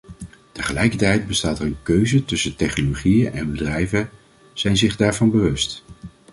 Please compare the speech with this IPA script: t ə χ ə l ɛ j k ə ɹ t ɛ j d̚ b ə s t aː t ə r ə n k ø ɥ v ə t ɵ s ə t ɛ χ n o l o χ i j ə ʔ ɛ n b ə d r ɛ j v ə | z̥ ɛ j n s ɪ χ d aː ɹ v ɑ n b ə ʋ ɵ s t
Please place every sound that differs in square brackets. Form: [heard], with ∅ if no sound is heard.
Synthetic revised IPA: t ə χ ə l ɛ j k ə ɹ t ɛ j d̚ b ə s t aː t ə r ə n k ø ɥ [z] ə t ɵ s ə t ɛ χ n o l o χ i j ə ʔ ɛ n b ə d r ɛ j v ə | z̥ ɛ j n [z] ɪ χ d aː ɹ v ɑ n b ə ʋ ɵ s t